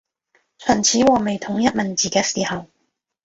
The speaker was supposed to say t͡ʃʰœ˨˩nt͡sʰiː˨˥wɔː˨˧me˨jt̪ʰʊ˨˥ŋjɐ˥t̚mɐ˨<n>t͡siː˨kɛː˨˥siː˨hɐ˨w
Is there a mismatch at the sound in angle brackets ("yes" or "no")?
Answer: no